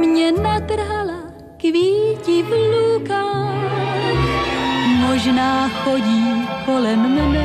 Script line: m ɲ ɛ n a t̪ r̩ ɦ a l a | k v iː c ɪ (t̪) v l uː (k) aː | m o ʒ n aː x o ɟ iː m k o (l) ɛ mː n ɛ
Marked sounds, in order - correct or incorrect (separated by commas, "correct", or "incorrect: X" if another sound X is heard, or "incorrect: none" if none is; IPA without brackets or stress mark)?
incorrect: none, correct, correct